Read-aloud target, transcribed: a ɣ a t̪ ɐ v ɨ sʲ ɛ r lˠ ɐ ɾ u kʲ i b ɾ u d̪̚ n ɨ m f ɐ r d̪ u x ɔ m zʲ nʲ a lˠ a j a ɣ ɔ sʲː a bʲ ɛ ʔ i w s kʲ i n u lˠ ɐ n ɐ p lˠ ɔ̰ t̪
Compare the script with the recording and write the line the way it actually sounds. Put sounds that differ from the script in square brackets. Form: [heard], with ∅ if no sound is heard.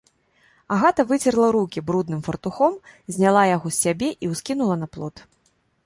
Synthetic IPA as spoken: a ɣ a t̪ ɐ v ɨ [t͡sʲ] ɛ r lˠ ɐ ɾ u kʲ i b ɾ u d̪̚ n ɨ m f ɐ r [t̪] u x ɔ m zʲ nʲ a lˠ a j a ɣ ɔ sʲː a bʲ ɛ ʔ i w s kʲ i n u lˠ ɐ n ɐ p lˠ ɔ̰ t̪